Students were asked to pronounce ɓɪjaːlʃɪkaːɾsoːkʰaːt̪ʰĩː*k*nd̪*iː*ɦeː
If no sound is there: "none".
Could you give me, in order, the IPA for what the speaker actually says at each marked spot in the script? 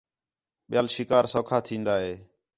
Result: none, aː

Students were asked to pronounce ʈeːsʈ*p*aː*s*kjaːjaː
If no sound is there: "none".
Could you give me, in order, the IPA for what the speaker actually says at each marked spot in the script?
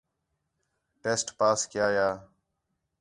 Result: p, s

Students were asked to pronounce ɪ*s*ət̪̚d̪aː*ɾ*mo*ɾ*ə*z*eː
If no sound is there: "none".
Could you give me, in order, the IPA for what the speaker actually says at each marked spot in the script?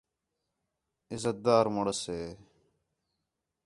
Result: z, ɾ, ɽ, s

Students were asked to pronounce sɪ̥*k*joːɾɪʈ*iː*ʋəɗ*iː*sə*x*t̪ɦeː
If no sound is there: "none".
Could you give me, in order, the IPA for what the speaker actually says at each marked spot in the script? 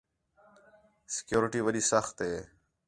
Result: k, iː, iː, x

